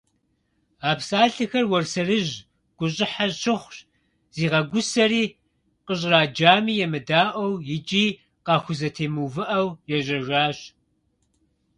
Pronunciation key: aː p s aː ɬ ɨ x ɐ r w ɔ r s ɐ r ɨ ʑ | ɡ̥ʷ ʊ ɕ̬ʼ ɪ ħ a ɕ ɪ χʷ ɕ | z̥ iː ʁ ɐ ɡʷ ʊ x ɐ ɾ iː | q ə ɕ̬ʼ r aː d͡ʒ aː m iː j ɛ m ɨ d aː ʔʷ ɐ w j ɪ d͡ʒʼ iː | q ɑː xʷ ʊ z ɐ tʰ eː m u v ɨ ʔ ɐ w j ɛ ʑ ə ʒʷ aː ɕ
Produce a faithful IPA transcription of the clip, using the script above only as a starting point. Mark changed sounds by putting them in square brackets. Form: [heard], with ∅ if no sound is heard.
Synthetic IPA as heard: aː p s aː ɬ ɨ x ɐ r w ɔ r s ɐ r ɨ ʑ | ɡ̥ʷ ʊ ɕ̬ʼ ɪ ħ a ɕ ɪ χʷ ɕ | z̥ iː ʁ ɐ ɡʷ ʊ [s] ɐ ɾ iː | q ə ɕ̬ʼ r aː d͡ʒ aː m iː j ɛ m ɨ d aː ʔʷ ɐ w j ɪ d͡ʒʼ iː | q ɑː xʷ ʊ z ɐ tʰ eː m u v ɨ ʔ ɐ w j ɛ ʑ [ɐ] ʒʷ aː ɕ